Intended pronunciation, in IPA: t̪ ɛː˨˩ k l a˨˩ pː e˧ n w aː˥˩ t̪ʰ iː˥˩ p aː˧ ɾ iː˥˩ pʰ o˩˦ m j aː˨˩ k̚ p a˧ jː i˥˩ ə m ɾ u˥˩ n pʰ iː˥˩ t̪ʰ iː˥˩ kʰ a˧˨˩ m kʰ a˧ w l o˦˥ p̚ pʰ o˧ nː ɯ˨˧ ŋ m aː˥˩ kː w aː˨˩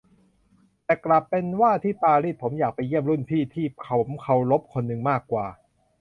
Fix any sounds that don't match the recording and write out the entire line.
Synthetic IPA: t̪ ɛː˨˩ k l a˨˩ pː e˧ n w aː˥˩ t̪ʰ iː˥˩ p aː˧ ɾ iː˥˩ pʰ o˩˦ m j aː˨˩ k̚ p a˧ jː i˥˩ ə m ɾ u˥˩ n pʰ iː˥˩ t̪ʰ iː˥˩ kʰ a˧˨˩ m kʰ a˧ w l o˦˥ p̚ kʰ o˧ nː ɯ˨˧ ŋ m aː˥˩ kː w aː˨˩